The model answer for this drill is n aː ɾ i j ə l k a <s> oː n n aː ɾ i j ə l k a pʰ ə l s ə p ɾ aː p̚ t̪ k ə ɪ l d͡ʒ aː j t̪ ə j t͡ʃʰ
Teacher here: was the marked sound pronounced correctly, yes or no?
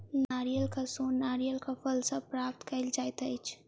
yes